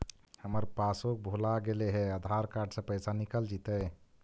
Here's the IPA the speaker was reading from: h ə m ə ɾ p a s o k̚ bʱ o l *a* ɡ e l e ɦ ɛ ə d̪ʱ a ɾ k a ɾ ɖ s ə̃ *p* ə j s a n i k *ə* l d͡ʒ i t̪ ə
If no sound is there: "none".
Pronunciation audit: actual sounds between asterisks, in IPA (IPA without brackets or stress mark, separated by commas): a, p, ə